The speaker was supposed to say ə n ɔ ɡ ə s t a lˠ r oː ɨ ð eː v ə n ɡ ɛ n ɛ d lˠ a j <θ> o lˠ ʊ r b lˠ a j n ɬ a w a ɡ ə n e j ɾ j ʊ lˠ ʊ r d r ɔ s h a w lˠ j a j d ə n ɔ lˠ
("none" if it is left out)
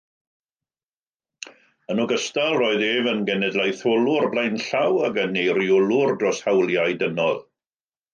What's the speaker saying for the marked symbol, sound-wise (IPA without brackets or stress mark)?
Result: θ